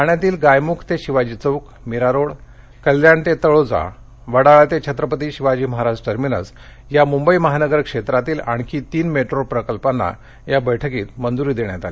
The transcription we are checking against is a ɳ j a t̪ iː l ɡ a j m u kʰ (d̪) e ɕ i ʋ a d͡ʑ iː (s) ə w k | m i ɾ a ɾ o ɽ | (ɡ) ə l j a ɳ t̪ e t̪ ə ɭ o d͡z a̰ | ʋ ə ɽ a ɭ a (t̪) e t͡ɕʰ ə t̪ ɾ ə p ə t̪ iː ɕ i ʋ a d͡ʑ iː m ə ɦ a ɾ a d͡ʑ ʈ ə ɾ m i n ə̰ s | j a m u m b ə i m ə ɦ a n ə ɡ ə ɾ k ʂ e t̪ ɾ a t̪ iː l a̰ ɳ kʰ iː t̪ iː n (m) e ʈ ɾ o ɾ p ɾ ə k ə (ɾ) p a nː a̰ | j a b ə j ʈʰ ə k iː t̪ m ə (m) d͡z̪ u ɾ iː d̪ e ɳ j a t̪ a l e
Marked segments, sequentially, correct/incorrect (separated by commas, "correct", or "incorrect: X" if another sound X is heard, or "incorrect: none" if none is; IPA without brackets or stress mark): incorrect: t̪, incorrect: t͡s, incorrect: k, correct, correct, incorrect: l, incorrect: n